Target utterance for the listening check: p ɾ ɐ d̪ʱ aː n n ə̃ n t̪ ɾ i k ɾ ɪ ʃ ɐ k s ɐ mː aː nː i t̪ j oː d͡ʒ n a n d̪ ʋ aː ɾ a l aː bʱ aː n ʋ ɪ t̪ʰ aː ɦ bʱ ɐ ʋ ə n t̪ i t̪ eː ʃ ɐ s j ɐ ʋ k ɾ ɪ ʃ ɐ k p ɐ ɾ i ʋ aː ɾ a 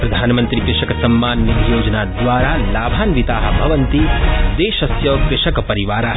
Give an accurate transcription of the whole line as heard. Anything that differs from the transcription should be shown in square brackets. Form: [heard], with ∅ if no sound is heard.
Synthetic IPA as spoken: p ɾ ɐ d̪ʱ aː n [m] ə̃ n t̪ ɾ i k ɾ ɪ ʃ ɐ k s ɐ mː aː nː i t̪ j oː d͡ʒ n a [∅] d̪ ʋ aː ɾ a l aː bʱ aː n ʋ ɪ [t̪] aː ɦ bʱ ɐ ʋ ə n t̪ i [d̪] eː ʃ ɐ s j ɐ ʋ k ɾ ɪ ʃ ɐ k p ɐ ɾ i ʋ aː ɾ a

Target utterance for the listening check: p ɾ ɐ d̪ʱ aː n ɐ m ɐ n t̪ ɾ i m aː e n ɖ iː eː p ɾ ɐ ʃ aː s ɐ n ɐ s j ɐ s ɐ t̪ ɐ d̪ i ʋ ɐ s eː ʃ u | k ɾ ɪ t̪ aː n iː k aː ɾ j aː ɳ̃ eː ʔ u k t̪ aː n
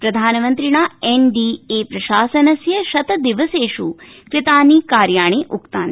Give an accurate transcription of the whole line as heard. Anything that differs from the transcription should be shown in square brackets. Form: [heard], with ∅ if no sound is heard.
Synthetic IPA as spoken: p ɾ ɐ d̪ʱ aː n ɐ m ɐ n t̪ ɾ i [ɳ] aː e n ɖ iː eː p ɾ ɐ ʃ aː s ɐ n ɐ s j ɐ [ʃ] ɐ t̪ ɐ d̪ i ʋ ɐ s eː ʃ u | k ɾ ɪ t̪ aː n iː k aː ɾ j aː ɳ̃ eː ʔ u k t̪ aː n

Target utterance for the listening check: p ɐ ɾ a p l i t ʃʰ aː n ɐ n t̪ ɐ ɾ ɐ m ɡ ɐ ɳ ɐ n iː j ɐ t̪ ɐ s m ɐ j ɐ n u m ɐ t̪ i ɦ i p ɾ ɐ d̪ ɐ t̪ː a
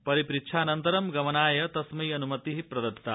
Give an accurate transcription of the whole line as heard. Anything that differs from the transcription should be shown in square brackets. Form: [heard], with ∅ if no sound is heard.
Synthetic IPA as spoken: p ɐ ɾ [i] p [ɾ] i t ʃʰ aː n ɐ n t̪ ɐ ɾ ɐ m ɡ ɐ [m] ɐ n [aː] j ɐ t̪ ɐ s m ɐ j ɐ n u m ɐ t̪ i ɦ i p ɾ ɐ d̪ ɐ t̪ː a

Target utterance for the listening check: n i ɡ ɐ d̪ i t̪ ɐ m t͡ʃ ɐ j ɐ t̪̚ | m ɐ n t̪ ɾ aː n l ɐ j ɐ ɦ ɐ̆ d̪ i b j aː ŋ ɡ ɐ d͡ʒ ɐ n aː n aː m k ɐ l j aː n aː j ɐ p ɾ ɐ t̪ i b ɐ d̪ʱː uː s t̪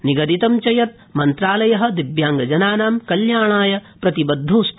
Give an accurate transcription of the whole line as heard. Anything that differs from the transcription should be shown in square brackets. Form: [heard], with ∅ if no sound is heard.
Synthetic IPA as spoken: n i ɡ ɐ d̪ i t̪ ɐ m t͡ʃ ɐ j ɐ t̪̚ | m ɐ n t̪ ɾ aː [∅] l ɐ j ɐ ɦ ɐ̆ d̪ i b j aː ŋ ɡ ɐ d͡ʒ ɐ n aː n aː m k ɐ l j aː [ɳ] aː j ɐ p ɾ ɐ t̪ i b ɐ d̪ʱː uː s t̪

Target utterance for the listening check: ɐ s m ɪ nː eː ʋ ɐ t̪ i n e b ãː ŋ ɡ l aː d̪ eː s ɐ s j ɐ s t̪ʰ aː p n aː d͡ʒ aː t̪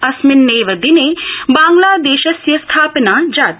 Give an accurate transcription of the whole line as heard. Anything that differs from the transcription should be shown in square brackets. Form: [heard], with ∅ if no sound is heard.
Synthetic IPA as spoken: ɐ s m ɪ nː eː ʋ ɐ [d̪] i n e b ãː ŋ ɡ l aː d̪ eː [ʃ] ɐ s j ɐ s t̪ʰ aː p n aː d͡ʒ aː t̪

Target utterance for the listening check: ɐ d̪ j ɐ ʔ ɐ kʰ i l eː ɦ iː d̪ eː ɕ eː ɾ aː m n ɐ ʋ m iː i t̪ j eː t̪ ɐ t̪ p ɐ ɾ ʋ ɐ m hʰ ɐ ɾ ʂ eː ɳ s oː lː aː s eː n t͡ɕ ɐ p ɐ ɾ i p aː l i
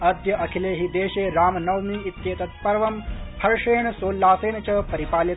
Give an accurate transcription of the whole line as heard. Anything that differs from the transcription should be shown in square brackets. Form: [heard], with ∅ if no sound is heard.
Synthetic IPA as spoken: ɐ d̪ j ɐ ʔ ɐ kʰ i l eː ɦ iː d̪ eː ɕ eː ɾ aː m n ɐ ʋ m iː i t̪ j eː t̪ ɐ t̪ p ɐ ɾ ʋ ɐ m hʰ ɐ ɾ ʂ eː ɳ s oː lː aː s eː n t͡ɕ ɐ p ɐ ɾ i p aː l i

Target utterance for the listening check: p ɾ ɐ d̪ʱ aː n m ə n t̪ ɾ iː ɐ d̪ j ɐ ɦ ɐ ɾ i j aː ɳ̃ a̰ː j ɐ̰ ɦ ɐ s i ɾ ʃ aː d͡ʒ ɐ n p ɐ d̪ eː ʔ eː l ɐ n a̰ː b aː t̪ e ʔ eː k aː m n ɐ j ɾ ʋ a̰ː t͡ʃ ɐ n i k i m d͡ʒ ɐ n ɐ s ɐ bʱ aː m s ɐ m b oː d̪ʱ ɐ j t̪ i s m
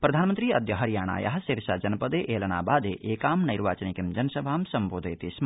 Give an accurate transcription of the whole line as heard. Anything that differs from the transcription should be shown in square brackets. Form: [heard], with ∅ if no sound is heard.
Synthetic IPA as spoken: p ɾ ɐ d̪ʱ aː n m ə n t̪ ɾ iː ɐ d̪ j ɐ ɦ ɐ ɾ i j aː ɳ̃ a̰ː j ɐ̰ ɦ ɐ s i ɾ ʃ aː d͡ʒ ɐ n p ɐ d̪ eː ʔ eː l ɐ n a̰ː b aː [d̪] e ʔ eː k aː m n ɐ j ɾ ʋ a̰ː t͡ʃ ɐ n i k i m d͡ʒ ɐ n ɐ s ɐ bʱ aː m s ɐ m b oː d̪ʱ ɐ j t̪ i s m

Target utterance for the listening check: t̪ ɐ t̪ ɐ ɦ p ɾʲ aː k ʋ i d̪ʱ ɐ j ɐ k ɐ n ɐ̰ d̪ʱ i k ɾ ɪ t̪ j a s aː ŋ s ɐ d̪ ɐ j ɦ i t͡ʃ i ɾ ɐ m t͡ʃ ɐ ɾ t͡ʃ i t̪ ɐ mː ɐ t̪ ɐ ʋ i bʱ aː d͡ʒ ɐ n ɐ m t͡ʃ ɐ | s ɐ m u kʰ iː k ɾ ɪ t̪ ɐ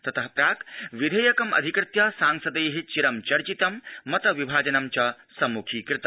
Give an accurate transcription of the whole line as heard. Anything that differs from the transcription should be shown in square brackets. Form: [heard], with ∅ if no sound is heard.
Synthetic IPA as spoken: t̪ ɐ t̪ ɐ ɦ p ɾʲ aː k ʋ i d̪ʱ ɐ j ɐ k ɐ [m] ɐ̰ d̪ʱ i k ɾ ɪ t̪ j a s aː ŋ s ɐ d̪ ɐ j ɦ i t͡ʃ i ɾ ɐ m t͡ʃ ɐ ɾ t͡ʃ i t̪ ɐ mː ɐ t̪ ɐ ʋ i bʱ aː d͡ʒ ɐ n ɐ m t͡ʃ ɐ | s ɐ m u kʰ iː k ɾ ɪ t̪ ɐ

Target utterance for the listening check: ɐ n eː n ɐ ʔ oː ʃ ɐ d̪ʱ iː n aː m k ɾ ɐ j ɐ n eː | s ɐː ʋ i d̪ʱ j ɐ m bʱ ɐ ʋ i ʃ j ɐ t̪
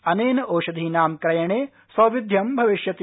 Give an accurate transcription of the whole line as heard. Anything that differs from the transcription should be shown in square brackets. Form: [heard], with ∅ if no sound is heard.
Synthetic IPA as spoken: ɐ n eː n ɐ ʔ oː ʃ ɐ d̪ʱ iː n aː m k ɾ ɐ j ɐ [ɳ] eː | s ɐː ʋ i d̪ʱ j ɐ m bʱ ɐ ʋ i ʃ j ɐ t̪

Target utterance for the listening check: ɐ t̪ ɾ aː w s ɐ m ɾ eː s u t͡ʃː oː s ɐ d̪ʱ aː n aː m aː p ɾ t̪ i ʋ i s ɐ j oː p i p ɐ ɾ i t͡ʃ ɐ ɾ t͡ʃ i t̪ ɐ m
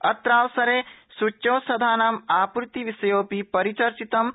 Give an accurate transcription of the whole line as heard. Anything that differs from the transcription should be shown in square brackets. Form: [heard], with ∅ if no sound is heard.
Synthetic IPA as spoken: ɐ t̪ ɾ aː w s ɐ [∅] ɾ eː s u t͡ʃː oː s ɐ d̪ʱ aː n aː m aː p ɾ t̪ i ʋ i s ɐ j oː p i p ɐ ɾ i t͡ʃ ɐ ɾ t͡ʃ i t̪ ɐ m

